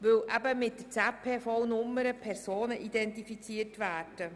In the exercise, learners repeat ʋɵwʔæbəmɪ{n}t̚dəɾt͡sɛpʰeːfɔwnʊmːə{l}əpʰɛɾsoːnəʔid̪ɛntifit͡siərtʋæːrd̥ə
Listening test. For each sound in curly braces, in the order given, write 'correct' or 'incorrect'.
incorrect: none, incorrect: ɾ

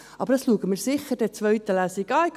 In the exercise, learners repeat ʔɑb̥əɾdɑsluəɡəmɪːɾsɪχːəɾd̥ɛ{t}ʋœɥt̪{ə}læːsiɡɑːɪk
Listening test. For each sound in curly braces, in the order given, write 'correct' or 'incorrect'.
incorrect: t͡s, correct

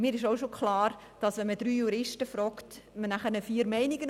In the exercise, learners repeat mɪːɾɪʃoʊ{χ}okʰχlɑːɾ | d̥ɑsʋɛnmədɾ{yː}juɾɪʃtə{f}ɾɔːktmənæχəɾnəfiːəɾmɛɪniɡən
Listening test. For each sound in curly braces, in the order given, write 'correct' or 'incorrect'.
incorrect: ʃ, correct, correct

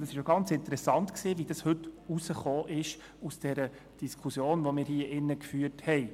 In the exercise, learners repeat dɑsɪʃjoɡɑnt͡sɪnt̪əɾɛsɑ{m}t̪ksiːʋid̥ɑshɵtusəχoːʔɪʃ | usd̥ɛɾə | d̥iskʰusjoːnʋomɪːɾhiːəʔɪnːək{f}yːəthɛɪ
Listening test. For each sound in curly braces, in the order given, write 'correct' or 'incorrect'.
incorrect: n, correct

